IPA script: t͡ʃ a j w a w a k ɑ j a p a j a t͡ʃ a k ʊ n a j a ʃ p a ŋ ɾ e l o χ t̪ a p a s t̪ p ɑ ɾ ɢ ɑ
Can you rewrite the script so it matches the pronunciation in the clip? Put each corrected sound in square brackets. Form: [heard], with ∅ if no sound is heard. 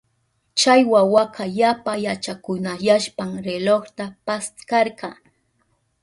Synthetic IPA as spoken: t͡ʃ a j w a w a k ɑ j a p a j a t͡ʃ a k ʊ n a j a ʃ p a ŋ ɾ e l o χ t̪ a p a s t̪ [k] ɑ ɾ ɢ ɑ